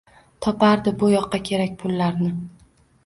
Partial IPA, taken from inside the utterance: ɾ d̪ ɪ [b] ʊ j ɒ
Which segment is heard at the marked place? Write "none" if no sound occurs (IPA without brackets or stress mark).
b